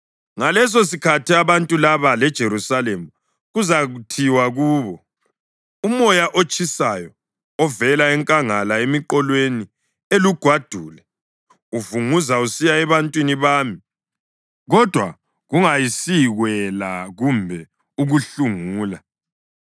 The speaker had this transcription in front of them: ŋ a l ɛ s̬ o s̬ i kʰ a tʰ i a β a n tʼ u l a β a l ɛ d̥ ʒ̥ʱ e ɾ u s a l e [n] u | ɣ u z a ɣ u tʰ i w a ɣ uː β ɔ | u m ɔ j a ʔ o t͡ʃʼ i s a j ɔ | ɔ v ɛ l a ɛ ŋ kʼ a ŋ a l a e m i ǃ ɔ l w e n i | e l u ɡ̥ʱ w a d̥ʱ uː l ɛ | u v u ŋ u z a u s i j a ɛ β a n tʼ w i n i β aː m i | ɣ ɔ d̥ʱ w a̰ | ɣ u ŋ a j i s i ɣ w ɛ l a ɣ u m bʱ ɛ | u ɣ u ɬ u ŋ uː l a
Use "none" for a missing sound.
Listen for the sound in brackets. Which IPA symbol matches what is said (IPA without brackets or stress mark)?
m